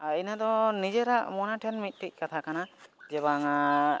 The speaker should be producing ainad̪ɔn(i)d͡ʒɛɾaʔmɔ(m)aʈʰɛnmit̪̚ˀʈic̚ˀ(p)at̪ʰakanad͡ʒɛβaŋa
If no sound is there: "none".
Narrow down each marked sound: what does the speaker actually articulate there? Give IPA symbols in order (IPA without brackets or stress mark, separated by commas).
i, n, k